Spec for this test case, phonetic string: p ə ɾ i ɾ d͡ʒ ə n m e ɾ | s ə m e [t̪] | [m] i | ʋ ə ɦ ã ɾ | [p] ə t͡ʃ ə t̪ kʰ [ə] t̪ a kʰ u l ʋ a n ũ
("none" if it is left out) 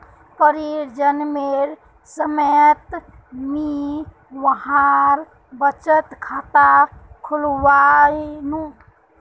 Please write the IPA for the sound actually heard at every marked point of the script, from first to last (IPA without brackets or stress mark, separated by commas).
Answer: t̪, m, b, a